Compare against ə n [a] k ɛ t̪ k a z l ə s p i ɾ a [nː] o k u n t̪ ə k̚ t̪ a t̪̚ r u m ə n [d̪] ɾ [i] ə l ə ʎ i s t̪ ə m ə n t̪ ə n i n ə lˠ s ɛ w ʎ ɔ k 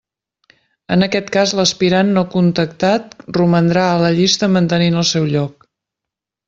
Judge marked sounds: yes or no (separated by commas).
no, yes, yes, no